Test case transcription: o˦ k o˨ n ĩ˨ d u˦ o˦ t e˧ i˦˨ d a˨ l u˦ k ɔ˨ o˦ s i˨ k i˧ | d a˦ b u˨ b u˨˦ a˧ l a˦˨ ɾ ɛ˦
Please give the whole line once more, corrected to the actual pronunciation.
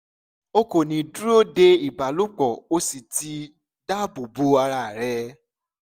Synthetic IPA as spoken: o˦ k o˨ n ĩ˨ d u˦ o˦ d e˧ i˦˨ b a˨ l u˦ k͡p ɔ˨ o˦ s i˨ t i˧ | d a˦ b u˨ b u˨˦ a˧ ɾ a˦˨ ɾ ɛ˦